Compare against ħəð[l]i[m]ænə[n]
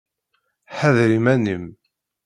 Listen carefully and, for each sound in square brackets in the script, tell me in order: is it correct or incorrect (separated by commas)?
incorrect, correct, incorrect